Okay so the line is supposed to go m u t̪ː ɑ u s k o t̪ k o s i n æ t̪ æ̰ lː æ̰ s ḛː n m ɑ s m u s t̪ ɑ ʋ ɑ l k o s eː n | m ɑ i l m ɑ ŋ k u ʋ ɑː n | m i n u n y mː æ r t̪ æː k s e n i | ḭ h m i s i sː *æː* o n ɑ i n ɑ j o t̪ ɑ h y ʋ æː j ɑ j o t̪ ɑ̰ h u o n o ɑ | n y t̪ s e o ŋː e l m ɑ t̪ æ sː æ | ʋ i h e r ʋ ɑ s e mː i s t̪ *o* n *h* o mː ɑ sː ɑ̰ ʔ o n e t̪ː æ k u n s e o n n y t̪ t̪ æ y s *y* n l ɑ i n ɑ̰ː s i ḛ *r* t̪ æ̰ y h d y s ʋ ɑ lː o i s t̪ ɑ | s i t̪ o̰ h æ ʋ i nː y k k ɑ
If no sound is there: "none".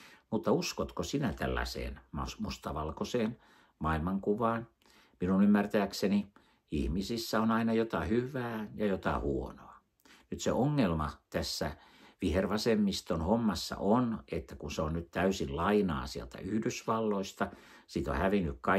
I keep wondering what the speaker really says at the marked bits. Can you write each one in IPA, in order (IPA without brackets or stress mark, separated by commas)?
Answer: æ, o, h, i, l